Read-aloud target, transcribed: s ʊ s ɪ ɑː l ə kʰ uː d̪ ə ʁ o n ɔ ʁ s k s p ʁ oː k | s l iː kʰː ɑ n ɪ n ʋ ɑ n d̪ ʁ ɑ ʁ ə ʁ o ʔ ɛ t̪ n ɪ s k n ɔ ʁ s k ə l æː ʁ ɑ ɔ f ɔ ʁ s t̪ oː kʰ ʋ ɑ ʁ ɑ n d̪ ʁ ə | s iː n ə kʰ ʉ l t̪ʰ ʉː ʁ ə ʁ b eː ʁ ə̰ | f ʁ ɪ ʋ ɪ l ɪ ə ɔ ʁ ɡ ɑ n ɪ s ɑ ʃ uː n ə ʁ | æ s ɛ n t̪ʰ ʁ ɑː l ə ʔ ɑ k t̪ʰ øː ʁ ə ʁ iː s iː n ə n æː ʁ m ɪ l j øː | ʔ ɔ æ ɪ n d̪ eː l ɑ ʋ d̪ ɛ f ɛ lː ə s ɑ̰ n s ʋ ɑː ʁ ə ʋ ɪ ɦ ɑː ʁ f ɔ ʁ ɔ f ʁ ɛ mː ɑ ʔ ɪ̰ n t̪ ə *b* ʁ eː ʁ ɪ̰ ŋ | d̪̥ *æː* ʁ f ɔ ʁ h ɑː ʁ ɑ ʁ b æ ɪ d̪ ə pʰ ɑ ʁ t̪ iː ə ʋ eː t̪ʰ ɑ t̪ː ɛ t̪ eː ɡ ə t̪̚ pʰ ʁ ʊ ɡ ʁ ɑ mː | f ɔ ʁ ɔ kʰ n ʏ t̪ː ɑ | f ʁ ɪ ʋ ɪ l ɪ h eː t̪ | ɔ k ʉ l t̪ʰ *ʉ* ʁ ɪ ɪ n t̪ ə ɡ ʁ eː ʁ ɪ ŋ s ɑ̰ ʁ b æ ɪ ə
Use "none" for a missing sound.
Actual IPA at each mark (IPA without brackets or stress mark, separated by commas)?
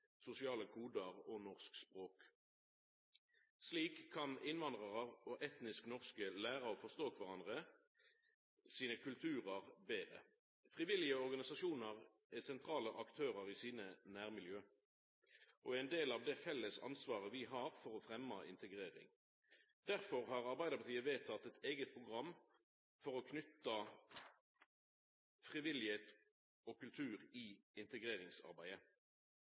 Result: ɡ, æ, ʉː